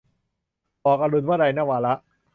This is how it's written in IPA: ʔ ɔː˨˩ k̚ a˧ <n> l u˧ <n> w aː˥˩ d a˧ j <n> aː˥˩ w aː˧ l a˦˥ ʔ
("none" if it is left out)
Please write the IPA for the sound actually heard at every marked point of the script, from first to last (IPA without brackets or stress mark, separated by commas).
none, n, n